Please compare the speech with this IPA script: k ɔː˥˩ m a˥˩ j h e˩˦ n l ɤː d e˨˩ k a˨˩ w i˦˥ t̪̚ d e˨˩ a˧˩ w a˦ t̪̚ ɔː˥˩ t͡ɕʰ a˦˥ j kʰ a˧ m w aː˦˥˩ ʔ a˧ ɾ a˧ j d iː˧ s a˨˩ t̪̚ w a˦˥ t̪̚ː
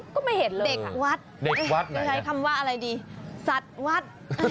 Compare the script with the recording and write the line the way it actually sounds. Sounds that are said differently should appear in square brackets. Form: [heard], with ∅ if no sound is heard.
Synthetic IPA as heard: k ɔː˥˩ m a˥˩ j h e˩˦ n l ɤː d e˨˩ k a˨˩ w [a˦˥] t̪̚ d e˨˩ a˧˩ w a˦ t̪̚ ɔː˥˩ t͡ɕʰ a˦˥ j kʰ a˧ m w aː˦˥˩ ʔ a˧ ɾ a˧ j d iː˧ s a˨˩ t̪̚ w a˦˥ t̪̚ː